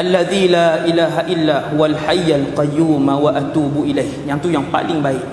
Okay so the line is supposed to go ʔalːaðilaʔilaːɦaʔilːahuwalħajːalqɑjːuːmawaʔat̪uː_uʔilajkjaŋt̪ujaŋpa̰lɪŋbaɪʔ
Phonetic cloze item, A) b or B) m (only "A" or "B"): A